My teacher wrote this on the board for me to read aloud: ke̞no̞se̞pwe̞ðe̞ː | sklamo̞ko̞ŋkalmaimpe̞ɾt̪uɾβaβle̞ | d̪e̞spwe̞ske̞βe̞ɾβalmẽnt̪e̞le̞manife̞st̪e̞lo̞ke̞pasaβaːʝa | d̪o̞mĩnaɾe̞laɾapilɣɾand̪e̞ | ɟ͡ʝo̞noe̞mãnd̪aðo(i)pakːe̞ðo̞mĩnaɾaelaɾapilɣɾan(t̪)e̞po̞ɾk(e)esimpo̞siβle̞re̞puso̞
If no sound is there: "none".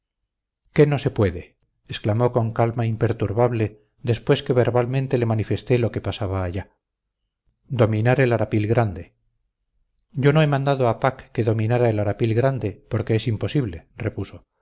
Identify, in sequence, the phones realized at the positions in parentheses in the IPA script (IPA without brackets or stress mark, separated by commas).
a, d̪, e